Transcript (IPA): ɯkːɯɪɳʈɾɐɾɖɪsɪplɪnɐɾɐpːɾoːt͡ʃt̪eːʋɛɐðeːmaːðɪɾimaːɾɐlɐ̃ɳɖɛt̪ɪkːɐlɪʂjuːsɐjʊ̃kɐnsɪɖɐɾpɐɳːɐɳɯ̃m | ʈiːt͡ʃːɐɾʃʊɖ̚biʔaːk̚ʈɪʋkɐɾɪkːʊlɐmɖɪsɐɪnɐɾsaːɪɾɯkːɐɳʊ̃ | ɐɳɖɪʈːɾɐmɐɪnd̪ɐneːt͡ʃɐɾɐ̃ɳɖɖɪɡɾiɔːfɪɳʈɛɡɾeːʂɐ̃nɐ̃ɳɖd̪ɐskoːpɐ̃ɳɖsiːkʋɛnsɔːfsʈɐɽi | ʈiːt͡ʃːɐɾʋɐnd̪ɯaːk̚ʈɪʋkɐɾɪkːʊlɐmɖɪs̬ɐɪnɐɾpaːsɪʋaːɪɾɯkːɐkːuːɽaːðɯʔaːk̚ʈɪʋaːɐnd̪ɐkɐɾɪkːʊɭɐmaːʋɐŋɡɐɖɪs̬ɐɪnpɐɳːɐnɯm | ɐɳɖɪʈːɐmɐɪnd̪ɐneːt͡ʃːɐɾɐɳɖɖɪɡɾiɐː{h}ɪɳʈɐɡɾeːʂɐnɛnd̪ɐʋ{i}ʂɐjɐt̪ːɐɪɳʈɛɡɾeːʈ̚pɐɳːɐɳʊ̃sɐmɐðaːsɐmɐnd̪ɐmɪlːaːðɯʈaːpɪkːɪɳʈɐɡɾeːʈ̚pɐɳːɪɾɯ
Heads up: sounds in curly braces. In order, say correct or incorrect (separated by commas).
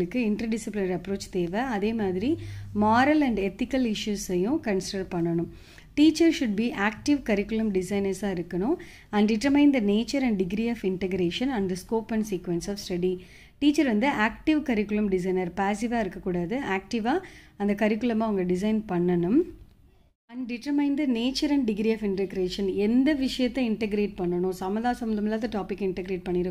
incorrect, incorrect